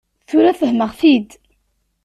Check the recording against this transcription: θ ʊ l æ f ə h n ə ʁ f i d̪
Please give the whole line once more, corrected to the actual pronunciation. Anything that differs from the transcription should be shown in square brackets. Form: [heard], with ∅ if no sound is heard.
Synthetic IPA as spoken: θ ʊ [ɾ] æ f ə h [m] ə ʁ f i d̪